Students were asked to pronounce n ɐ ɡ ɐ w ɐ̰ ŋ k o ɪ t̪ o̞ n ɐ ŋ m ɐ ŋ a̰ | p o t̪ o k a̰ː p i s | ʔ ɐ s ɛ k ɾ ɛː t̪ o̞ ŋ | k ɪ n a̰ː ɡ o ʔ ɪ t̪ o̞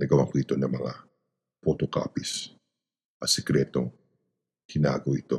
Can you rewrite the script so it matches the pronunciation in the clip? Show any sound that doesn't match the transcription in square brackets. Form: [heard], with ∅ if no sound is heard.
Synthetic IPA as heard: n ɐ ɡ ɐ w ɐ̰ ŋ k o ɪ t̪ o̞ n ɐ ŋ m ɐ ŋ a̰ | p o t̪ o k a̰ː p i s | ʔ ɐ s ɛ k ɾ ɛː t̪ o̞ ŋ | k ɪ n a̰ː ɡ o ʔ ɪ t̪ o̞